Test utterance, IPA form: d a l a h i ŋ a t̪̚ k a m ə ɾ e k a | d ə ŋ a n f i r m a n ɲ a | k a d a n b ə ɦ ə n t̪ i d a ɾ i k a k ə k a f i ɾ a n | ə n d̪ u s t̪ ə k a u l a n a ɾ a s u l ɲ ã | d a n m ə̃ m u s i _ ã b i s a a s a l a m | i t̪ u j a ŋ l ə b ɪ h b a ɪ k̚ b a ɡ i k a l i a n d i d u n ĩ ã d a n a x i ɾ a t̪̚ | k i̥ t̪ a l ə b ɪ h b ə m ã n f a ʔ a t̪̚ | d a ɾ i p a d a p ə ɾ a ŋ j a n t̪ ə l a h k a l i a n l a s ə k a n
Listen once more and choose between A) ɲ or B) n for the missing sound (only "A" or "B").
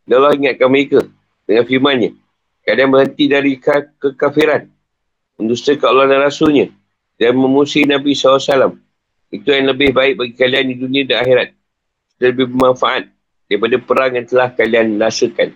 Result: B